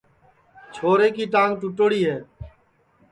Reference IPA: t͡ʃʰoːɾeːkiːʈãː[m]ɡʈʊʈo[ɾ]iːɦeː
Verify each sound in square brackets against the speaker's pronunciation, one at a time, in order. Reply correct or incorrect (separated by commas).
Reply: incorrect, incorrect